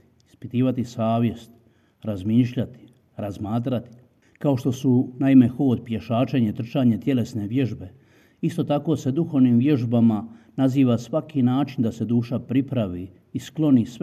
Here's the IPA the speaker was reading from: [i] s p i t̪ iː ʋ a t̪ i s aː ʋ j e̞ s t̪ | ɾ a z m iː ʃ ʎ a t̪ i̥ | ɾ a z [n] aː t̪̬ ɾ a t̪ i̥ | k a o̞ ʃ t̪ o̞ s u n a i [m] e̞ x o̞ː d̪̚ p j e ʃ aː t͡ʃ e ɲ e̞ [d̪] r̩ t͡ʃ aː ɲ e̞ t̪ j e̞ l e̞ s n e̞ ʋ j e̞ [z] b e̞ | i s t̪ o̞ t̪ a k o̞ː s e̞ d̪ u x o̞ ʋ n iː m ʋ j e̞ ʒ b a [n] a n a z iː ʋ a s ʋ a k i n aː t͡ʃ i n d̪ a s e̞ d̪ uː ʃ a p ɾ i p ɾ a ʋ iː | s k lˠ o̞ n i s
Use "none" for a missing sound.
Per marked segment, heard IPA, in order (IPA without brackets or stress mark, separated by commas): i, m, m, t̪, ʒ, m